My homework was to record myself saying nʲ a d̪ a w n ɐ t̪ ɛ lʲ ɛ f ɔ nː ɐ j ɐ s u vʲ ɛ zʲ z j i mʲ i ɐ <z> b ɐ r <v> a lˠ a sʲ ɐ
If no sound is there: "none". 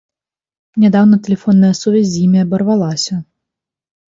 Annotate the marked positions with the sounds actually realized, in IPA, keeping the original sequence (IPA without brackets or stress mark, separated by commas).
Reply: none, v